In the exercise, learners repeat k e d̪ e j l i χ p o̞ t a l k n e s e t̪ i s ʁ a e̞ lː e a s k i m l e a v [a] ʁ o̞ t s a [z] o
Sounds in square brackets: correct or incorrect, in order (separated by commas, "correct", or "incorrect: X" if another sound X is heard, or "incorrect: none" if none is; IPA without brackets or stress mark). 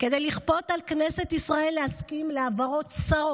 correct, incorrect: ʁ